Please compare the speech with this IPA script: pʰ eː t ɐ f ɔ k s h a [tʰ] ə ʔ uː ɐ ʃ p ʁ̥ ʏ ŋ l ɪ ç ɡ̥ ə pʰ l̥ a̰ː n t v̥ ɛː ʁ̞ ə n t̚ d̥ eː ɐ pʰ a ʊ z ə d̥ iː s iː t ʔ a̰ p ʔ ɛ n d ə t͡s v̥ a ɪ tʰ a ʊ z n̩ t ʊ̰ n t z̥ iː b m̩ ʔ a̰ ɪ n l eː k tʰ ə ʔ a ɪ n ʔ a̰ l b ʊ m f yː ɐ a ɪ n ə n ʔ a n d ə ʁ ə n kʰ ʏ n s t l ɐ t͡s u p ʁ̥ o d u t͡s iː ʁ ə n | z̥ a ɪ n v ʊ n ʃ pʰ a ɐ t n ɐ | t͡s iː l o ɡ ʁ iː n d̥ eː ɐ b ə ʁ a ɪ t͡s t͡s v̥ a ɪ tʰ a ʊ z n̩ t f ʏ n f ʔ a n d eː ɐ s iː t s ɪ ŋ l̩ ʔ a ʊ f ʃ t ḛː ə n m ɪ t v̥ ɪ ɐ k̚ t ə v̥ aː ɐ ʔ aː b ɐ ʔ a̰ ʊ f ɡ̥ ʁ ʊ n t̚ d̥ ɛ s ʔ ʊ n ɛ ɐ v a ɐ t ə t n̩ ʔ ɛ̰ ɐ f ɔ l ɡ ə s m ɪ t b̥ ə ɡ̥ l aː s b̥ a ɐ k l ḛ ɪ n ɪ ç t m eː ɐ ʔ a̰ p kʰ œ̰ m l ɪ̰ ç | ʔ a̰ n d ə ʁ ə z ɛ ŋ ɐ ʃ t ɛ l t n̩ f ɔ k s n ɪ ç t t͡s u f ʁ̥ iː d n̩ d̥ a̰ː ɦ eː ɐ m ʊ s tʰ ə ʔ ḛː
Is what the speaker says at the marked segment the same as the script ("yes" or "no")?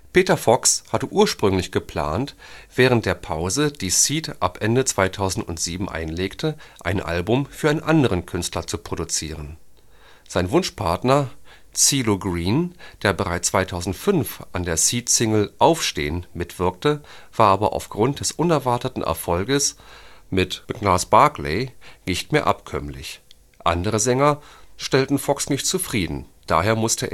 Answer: no